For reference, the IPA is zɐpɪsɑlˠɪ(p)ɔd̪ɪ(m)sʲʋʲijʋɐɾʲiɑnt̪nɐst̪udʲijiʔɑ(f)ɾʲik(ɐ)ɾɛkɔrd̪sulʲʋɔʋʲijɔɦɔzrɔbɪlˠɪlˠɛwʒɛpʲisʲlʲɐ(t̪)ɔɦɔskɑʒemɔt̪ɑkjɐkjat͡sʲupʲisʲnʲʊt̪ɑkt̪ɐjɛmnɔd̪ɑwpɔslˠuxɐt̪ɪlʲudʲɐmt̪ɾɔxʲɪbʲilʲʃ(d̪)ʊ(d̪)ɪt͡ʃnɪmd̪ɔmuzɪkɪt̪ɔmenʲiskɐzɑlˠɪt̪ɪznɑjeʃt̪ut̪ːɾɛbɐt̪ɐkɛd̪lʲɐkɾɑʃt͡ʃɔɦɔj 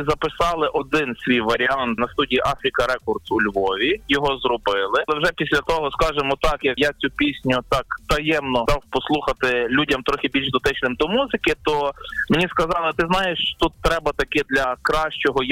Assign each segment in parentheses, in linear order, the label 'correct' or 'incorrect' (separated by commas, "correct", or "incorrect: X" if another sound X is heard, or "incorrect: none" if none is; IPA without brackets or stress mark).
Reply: incorrect: ʔ, incorrect: n, correct, correct, correct, correct, incorrect: t̪